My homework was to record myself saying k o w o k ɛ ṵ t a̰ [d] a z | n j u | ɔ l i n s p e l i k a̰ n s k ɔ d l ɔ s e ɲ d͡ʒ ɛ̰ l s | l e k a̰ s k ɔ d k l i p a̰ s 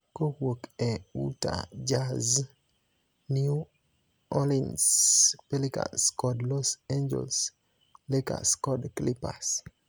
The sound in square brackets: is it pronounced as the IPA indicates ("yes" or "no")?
no